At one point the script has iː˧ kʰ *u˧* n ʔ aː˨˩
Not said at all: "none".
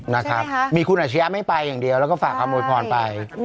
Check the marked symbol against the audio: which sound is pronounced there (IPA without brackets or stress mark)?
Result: u˧